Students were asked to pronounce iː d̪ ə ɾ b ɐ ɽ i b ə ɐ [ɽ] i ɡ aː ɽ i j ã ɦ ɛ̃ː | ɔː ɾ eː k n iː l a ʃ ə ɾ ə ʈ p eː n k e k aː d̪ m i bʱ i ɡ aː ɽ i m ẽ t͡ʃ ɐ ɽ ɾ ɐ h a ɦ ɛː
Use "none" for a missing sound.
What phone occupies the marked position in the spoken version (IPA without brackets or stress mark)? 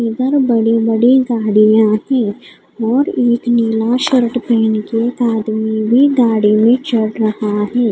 ɽ